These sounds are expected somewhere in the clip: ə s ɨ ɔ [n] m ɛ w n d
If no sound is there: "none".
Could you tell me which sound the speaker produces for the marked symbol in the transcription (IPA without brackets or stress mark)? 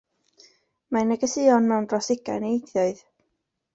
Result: n